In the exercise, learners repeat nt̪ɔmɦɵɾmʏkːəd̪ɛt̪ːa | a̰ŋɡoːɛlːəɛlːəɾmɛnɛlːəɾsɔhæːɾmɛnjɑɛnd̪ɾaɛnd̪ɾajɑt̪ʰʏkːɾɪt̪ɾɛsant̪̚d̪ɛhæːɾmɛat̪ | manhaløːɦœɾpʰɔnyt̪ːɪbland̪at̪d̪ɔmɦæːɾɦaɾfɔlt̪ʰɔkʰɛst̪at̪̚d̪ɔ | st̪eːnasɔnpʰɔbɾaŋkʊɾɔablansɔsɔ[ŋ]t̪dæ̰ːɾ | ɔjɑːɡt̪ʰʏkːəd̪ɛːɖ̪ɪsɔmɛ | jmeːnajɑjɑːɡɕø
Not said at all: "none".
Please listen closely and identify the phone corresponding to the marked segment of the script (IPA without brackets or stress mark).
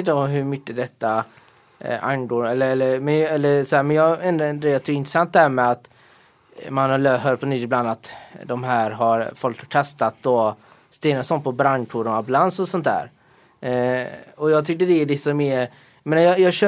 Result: n